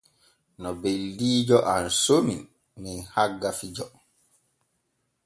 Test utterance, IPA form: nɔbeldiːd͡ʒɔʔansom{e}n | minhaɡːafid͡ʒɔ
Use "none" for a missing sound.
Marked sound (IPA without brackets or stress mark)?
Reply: i